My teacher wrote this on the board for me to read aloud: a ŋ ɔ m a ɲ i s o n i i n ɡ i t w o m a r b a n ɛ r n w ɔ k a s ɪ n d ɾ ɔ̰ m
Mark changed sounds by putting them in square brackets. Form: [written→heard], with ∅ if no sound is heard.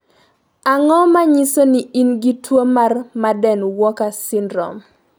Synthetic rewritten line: a ŋ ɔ m a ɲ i s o n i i n ɡ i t w o m a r [b→m] a [n→d] ɛ [r→∅] n w ɔ k a s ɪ n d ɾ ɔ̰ m